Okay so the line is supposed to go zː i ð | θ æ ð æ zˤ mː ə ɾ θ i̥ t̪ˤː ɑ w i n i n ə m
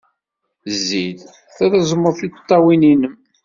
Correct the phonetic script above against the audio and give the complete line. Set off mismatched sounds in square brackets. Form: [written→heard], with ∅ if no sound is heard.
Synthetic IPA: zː i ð | θ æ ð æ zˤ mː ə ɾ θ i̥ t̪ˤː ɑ w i n i n ə m